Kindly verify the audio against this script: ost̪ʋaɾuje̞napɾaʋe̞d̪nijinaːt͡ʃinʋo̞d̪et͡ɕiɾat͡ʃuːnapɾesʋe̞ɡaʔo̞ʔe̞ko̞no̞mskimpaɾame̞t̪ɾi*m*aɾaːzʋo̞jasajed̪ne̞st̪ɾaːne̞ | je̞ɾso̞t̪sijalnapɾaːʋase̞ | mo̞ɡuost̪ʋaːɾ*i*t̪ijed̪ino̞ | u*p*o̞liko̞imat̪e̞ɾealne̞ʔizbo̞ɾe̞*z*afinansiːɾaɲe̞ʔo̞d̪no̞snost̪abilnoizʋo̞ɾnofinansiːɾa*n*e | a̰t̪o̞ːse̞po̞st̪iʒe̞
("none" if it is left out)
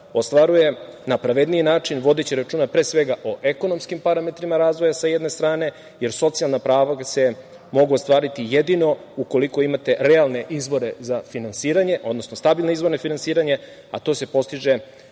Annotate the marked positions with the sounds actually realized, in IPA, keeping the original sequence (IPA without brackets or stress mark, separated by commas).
m, i, k, z, ɲ